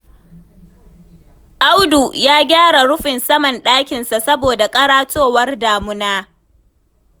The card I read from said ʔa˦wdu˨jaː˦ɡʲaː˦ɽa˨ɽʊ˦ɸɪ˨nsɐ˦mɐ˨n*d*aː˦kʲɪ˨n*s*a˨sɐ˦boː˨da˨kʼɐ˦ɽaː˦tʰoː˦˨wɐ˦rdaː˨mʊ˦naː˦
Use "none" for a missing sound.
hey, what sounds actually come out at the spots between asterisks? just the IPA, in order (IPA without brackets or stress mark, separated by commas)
ɗ, s